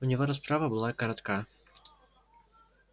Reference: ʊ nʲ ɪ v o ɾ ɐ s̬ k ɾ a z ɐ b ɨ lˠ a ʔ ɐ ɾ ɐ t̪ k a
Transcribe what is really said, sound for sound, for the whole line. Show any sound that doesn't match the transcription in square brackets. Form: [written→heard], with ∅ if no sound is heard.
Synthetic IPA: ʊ nʲ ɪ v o ɾ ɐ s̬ [k→p] ɾ a [z→v] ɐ b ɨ lˠ a [ʔ→k] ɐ ɾ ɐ t̪ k a